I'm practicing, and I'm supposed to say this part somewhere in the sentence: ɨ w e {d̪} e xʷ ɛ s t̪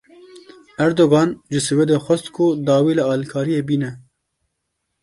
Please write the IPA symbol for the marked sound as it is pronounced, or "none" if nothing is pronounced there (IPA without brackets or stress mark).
d̪